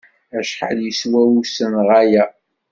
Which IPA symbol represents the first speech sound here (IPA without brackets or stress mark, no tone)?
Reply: æ